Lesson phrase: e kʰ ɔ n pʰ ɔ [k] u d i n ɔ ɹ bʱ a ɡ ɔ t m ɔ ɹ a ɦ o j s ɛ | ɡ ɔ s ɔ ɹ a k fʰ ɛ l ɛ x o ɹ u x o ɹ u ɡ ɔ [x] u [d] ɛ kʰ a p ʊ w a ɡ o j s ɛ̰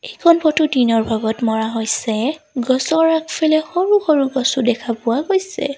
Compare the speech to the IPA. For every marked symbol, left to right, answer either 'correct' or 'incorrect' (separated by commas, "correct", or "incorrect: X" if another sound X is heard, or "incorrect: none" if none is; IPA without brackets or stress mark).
incorrect: t, incorrect: s, correct